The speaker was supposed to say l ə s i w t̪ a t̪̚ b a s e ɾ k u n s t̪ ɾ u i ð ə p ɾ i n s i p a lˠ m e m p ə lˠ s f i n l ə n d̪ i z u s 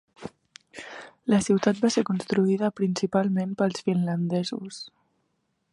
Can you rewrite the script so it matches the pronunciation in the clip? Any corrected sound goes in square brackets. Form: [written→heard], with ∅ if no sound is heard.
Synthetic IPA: l ə s i w t̪ a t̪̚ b a s e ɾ k u n s t̪ ɾ u i ð ə p ɾ i n s i p a lˠ m e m p ə lˠ s f i n l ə n d̪ [i→ɛ] z u s

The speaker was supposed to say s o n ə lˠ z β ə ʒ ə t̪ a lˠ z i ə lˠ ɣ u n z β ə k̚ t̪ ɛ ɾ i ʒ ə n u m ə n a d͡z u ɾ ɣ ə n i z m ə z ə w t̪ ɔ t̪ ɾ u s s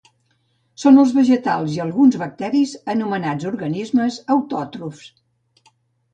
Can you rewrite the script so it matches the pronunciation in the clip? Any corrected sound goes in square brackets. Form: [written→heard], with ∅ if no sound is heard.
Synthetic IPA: s o n ə lˠ z β ə ʒ ə t̪ a lˠ z i ə lˠ ɣ u n z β ə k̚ t̪ ɛ ɾ i [ʒ→z] ə n u m ə n a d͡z u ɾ ɣ ə n i z m ə z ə w t̪ ɔ t̪ ɾ u [s→f] s

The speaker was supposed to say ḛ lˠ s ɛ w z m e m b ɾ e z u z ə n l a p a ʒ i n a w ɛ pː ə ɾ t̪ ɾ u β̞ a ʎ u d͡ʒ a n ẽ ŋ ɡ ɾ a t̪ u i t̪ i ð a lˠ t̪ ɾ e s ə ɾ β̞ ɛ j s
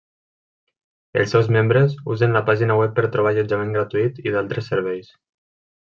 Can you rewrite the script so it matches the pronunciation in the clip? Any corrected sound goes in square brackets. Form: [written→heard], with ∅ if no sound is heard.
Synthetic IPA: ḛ lˠ s ɛ w z m e m b ɾ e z u z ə n l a p a ʒ i n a w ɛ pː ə ɾ t̪ ɾ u β̞ a ʎ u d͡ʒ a [n→m] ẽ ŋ ɡ ɾ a t̪ u i t̪ i ð a lˠ t̪ ɾ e s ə ɾ β̞ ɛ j s

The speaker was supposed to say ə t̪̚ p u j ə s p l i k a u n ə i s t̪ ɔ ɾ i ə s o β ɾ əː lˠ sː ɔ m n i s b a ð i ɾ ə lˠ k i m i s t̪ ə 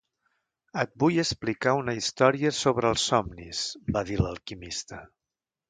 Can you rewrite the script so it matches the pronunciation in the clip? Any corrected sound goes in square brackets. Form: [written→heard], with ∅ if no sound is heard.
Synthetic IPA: ə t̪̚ [p→b] u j ə s p l i k a u n ə i s t̪ ɔ ɾ i ə s o β ɾ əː lˠ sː ɔ m n i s b a ð i [ɾ→l] ə lˠ k i m i s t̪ ə

